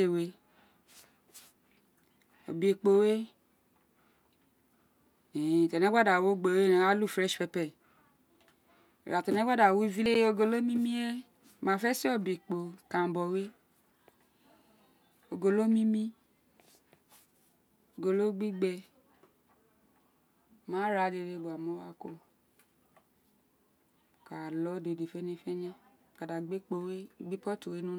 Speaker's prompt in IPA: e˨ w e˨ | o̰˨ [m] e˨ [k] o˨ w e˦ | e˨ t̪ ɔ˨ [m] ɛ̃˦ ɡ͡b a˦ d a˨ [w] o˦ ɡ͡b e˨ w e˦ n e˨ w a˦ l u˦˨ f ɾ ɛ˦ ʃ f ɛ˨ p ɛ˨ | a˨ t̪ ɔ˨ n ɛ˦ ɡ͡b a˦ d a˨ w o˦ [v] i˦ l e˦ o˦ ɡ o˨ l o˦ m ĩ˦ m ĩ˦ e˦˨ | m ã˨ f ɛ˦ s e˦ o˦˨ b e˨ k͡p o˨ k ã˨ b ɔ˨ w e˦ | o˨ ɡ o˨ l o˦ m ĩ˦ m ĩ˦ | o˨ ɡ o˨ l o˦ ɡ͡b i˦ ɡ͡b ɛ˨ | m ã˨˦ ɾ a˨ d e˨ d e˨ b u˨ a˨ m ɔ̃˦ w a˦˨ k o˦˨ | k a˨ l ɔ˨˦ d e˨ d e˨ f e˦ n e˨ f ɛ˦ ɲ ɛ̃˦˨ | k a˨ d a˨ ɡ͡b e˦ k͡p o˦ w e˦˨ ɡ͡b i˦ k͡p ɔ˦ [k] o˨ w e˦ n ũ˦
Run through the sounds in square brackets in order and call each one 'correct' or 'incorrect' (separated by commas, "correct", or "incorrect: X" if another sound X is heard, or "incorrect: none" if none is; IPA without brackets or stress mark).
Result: incorrect: b, incorrect: k͡p, incorrect: n, correct, correct, incorrect: t